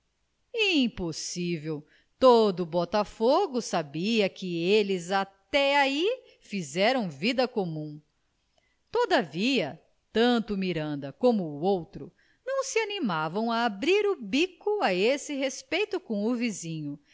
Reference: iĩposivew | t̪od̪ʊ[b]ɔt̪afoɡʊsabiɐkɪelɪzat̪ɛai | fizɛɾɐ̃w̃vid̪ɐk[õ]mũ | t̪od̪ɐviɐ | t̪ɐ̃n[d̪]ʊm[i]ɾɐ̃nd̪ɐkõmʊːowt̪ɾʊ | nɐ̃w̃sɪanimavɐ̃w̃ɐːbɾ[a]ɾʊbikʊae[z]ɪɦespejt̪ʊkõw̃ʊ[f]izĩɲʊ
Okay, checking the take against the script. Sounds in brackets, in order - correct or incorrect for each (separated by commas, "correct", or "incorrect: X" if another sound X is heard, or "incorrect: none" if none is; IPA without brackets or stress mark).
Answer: correct, incorrect: o, incorrect: t̪, correct, incorrect: i, incorrect: s, incorrect: v